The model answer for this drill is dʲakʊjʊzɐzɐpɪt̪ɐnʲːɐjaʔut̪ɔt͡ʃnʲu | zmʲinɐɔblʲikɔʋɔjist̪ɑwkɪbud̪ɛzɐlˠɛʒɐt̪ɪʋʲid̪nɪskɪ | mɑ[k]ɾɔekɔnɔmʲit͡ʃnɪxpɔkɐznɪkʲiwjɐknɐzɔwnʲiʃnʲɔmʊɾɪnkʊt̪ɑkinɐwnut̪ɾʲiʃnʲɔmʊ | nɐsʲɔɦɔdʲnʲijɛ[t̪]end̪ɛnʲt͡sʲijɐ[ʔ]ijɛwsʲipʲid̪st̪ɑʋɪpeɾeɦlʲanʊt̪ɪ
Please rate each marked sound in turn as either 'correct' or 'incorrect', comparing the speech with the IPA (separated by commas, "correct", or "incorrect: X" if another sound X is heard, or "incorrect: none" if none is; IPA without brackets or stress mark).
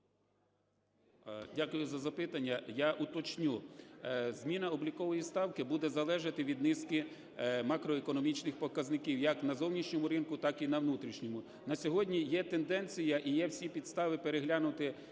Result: correct, correct, correct